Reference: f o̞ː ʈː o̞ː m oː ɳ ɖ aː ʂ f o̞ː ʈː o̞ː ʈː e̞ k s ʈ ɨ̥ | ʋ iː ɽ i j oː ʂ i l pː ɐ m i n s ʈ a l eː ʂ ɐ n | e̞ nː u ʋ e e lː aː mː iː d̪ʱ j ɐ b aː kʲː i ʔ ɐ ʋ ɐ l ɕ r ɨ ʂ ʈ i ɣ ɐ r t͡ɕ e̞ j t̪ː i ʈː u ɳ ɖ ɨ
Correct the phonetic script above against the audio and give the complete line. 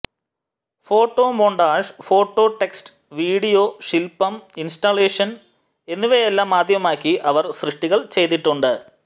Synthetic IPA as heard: f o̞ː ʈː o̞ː m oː ɳ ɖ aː ʂ f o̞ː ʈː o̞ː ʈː e̞ k s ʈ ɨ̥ | ʋ iː ɽ i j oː ʂ i l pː ɐ m i n s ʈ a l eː ʂ ɐ n | e̞ nː u ʋ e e lː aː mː aː d̪ʱ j ɐ m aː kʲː i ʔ ɐ ʋ ɐ r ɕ r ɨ ʂ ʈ i ɣ ɐ ɭ t͡ɕ e̞ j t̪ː i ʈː u ɳ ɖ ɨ